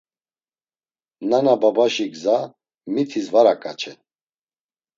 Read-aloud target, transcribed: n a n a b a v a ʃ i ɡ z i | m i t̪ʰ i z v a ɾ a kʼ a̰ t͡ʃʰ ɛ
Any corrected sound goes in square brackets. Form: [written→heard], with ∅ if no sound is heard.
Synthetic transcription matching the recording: n a n a b a [v→b] a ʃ i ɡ z [i→a] | m i t̪ʰ i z v a ɾ a kʼ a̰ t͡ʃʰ ɛ